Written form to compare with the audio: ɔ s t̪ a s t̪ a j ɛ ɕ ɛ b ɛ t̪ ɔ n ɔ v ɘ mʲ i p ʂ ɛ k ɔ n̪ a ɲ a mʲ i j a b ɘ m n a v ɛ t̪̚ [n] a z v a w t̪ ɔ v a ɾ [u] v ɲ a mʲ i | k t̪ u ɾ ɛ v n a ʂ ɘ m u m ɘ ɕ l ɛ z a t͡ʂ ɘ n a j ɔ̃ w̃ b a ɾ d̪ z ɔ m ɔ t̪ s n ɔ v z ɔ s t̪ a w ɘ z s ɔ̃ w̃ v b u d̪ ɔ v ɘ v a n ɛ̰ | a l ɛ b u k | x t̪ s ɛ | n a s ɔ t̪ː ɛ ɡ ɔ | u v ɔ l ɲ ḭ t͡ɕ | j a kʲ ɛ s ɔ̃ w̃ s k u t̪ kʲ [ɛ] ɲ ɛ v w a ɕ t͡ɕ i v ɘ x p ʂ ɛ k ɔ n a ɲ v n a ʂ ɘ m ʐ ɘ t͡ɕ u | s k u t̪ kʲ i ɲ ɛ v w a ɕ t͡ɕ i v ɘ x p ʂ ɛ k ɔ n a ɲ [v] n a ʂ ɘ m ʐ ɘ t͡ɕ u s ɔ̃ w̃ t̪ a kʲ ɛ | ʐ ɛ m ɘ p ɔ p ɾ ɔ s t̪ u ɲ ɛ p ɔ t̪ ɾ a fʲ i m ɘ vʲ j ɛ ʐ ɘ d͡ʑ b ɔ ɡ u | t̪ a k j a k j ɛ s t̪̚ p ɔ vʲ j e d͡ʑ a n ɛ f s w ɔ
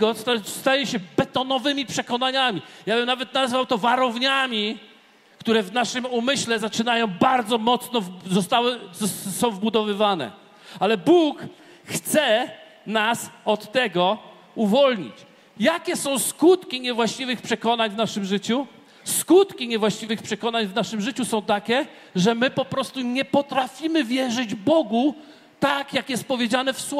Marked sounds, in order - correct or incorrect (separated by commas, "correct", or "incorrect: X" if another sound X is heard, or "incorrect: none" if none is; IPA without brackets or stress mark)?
correct, incorrect: ɔ, incorrect: i, correct